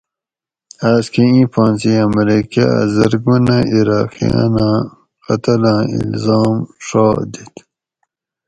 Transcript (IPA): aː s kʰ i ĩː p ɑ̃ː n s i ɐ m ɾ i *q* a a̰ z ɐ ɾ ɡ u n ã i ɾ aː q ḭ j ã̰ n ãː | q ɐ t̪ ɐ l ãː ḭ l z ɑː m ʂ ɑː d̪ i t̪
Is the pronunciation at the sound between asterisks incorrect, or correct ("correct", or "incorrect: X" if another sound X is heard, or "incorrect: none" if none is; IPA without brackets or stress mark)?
incorrect: k